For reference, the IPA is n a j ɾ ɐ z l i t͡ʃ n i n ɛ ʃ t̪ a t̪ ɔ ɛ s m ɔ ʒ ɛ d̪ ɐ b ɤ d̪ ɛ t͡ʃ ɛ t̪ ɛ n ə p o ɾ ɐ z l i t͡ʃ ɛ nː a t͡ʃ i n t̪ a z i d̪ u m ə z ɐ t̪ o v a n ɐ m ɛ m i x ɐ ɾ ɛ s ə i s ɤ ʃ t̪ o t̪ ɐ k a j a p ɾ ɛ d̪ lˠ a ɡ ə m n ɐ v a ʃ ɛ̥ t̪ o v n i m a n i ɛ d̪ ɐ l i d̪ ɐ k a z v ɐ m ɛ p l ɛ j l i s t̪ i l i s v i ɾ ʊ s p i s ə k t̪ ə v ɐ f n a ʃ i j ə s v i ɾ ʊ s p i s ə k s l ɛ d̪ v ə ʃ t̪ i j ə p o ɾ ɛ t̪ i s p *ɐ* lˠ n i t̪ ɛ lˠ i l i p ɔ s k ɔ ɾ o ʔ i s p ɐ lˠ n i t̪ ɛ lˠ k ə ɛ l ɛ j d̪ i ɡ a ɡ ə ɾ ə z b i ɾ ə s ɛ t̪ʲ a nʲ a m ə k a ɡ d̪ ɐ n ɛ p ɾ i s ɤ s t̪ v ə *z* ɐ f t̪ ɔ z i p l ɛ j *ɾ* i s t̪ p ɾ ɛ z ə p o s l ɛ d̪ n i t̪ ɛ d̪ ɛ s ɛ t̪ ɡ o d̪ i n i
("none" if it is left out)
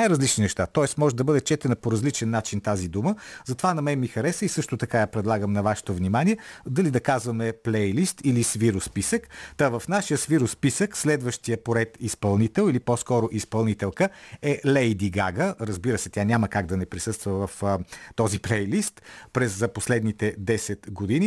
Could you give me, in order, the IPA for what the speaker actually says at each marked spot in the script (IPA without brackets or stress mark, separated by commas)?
ɐ, v, l